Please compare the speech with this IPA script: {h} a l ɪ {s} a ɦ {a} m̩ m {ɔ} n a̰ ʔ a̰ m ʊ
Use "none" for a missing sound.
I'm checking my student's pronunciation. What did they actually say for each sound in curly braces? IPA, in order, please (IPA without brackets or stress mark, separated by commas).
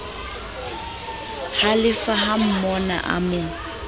h, f, a, ɔ